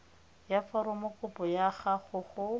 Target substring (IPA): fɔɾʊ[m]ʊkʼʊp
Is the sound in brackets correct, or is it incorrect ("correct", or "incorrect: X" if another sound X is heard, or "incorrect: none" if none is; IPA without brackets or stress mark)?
correct